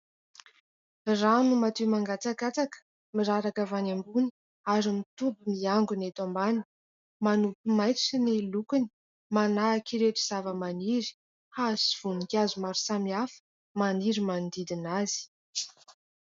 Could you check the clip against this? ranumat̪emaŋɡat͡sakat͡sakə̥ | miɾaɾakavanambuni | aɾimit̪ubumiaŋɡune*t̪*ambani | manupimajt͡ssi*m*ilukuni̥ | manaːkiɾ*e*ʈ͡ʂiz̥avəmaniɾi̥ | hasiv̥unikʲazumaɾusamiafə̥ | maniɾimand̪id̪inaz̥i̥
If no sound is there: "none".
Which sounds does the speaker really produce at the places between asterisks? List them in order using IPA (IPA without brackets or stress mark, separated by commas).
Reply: t̪, n, e